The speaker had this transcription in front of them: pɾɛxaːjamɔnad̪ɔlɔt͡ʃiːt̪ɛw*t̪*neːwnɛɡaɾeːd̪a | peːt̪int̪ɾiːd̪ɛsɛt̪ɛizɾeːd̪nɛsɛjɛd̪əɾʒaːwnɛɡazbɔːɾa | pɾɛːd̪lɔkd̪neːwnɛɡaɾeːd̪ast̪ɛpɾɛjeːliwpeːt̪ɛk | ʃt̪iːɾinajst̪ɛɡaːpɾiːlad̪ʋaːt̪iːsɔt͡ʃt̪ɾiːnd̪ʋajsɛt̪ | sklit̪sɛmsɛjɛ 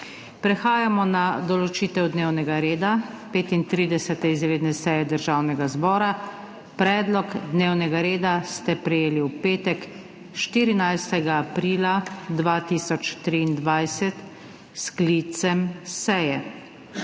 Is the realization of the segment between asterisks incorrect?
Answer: yes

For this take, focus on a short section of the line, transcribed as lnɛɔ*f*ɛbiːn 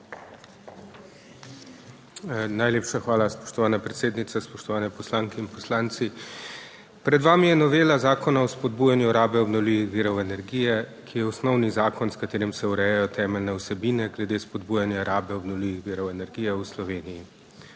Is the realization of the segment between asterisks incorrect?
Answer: yes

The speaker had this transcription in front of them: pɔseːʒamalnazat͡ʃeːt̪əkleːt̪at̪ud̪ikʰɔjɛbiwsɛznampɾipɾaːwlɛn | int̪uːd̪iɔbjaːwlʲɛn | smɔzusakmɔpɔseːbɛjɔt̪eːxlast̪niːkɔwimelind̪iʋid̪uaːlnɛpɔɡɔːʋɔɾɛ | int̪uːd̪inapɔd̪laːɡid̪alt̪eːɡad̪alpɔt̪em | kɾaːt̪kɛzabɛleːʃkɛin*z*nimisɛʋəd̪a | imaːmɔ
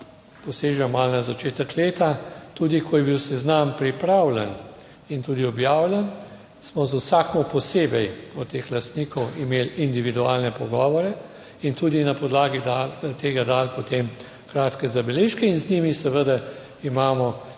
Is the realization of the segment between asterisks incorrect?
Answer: no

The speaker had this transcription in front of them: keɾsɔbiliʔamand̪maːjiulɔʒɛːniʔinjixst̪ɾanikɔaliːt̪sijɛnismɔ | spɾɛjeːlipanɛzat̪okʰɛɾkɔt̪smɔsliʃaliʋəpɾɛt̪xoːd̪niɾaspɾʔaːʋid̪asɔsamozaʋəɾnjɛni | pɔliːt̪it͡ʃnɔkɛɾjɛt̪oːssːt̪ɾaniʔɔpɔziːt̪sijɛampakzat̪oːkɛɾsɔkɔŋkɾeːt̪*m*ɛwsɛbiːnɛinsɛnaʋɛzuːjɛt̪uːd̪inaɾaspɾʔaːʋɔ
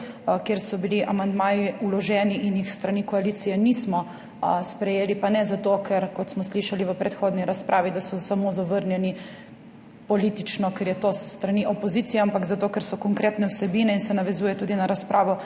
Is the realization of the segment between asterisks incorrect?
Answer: yes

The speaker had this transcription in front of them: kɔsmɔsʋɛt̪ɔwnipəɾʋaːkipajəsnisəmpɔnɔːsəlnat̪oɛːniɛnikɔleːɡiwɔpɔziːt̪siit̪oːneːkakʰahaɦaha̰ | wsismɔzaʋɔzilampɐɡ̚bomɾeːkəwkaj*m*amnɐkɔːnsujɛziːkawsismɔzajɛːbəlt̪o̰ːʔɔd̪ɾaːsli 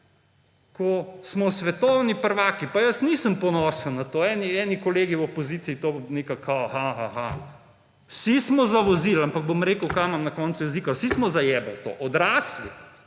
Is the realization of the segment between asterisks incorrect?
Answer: no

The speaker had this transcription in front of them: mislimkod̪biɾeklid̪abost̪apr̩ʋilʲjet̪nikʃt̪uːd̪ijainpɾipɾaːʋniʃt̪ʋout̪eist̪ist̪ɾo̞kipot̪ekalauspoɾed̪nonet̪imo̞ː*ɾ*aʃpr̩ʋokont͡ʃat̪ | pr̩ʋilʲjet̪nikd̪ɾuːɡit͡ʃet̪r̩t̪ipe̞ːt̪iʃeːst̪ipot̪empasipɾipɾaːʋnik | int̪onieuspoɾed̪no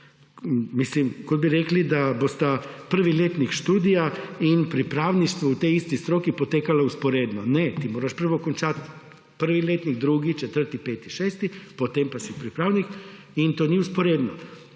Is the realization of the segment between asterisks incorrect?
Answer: no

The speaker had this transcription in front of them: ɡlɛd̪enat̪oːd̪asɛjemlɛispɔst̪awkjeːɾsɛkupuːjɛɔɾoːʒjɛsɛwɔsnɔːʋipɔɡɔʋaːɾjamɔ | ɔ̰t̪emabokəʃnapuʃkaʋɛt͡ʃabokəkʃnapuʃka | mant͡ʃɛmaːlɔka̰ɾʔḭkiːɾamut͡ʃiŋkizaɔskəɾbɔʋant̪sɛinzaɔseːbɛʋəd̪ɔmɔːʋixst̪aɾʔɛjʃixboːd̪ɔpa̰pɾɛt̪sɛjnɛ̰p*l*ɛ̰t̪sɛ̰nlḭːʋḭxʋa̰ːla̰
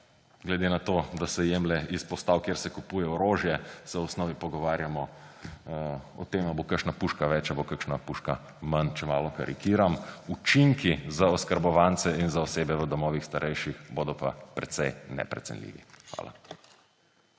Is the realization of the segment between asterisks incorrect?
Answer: yes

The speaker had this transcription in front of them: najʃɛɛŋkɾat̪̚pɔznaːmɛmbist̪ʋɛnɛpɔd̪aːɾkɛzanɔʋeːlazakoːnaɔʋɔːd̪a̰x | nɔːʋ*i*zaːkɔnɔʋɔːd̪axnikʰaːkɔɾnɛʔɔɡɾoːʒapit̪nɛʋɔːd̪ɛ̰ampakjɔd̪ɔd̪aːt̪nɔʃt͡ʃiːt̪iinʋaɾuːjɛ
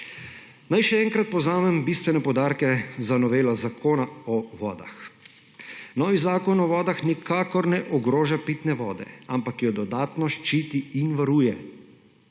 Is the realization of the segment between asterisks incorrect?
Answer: no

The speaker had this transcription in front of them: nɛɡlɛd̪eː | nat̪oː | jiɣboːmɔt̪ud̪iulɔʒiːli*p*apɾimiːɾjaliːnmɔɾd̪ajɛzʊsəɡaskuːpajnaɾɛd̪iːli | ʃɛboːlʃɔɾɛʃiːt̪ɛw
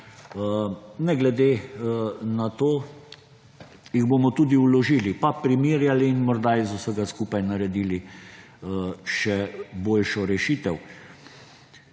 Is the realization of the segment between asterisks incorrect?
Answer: no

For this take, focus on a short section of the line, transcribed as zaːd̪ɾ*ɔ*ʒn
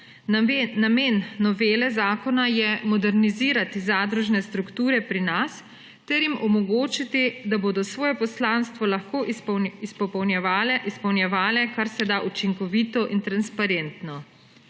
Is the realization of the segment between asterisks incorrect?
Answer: yes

